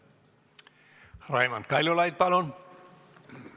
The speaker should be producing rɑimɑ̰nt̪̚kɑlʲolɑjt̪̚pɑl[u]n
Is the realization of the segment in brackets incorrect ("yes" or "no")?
yes